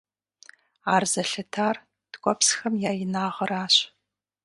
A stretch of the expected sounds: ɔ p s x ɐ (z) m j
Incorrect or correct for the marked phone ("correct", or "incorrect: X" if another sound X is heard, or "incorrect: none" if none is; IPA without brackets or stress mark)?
incorrect: none